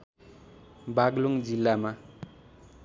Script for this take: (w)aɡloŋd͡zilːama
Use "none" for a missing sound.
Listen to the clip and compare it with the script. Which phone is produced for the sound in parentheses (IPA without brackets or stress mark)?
b